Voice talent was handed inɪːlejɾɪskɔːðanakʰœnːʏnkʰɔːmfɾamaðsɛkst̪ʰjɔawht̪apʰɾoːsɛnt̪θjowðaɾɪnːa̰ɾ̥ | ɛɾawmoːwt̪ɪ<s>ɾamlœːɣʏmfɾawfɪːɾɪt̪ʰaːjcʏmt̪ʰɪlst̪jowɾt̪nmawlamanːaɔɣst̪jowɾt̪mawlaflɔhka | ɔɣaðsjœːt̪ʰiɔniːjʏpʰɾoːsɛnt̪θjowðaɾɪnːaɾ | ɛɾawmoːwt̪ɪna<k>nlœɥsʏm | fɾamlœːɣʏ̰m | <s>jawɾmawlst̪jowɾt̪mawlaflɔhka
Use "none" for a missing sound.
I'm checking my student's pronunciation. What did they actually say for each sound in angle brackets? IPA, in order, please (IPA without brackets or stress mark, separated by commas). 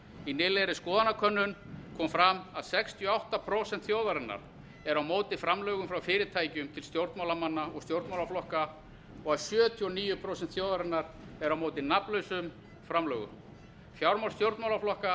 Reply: f, p, f